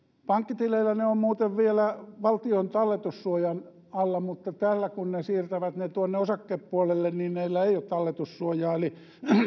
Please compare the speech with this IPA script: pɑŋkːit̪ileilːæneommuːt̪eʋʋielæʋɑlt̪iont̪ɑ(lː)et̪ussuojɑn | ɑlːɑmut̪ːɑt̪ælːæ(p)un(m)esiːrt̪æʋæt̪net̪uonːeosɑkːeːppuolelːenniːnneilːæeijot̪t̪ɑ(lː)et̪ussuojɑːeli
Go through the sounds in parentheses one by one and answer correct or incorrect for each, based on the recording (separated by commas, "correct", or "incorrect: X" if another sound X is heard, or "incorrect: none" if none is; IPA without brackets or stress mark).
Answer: correct, incorrect: k, incorrect: n, correct